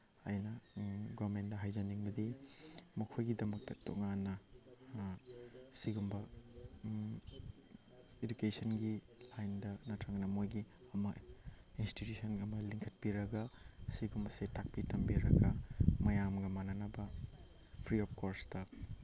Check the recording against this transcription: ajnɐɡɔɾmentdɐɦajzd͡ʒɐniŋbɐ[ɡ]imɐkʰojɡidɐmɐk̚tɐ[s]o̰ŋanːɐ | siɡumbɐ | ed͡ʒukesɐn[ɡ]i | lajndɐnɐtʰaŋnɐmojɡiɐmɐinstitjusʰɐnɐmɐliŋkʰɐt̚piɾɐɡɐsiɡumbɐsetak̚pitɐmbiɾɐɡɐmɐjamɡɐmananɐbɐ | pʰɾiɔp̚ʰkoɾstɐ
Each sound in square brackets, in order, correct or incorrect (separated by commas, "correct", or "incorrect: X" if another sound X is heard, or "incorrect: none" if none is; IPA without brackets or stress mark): incorrect: d, incorrect: t, correct